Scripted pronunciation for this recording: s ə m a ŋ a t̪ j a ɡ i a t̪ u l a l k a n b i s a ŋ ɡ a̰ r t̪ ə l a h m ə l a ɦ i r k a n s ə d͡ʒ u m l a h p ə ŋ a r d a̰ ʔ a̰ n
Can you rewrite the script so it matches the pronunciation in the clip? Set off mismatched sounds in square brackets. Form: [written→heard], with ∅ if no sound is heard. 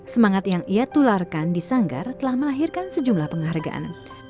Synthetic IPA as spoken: s ə m a ŋ a t̪ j a [ɡ→ŋ] i a t̪ u l a [l→r] k a n [b→d] i s a ŋ ɡ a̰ r t̪ ə l a h m ə l a ɦ i r k a n s ə d͡ʒ u m l a h p ə ŋ a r [d→ɡ] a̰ ʔ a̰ n